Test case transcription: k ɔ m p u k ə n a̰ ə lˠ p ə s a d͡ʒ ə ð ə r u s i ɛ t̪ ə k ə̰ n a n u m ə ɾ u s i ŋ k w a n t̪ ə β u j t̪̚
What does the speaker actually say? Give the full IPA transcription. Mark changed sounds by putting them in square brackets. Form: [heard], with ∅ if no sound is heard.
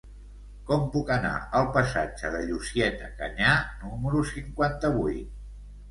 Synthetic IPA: k ɔ m p u k ə n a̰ ə lˠ p ə s a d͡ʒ ə ð ə [ʎ] u s i ɛ t̪ ə k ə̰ [ɲ] a n u m ə ɾ u s i ŋ k w a n t̪ ə β u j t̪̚

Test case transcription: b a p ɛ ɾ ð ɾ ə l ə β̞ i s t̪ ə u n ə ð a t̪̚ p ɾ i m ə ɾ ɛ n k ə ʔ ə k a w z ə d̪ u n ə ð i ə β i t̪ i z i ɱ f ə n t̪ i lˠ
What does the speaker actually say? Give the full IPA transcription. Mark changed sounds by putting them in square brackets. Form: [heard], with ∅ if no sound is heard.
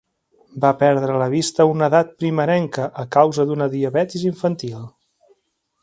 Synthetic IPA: b a p ɛ ɾ ð ɾ ə l ə β̞ i s t̪ ə u n ə ð a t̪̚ p ɾ i m ə ɾ ɛ [ŋ] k ə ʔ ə k a w z ə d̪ u n ə ð i ə β [ɛ] t̪ i z i ɱ f ə n t̪ i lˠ

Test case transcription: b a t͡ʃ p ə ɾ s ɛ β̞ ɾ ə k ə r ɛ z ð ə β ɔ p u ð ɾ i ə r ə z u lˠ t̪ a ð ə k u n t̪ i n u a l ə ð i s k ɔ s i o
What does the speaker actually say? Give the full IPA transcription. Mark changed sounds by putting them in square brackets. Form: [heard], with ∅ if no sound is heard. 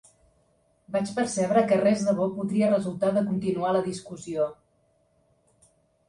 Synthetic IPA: b a t͡ʃ p ə ɾ s ɛ β̞ ɾ ə k ə r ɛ z ð ə β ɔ p u ð ɾ i ə r ə z u lˠ t̪ a ð ə k u n t̪ i n u a l ə ð i s k [u] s i o

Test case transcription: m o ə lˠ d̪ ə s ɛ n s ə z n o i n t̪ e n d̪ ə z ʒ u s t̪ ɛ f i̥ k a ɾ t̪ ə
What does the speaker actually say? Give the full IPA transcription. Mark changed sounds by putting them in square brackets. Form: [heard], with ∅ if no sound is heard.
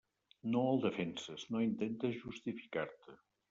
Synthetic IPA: [n] o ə lˠ d̪ ə [f] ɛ n s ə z n o i n t̪ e n [t̪] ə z ʒ u s t̪ [i] f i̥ k a ɾ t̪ ə

